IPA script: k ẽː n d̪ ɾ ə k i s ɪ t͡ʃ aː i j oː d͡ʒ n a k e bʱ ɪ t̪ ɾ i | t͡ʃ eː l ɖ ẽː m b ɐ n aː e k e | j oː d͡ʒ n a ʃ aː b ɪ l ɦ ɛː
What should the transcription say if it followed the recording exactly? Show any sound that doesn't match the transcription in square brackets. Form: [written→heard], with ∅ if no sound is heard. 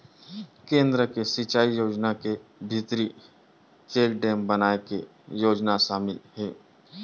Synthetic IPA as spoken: k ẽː n d̪ ɾ ə k [i→e] s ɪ t͡ʃ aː i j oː d͡ʒ n a k e bʱ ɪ t̪ ɾ i | t͡ʃ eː l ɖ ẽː m b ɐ n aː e k e | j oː d͡ʒ n a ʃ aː [b→m] ɪ l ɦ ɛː